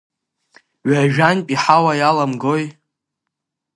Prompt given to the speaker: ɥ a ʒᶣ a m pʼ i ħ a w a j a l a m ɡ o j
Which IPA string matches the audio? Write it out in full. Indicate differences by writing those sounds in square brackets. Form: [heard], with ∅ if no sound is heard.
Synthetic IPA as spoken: ɥ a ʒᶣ a [n] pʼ i ħ a w a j a l a m ɡ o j